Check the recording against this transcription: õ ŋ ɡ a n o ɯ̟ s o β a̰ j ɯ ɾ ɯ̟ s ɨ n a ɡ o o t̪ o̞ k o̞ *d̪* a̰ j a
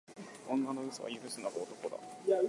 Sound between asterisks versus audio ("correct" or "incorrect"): correct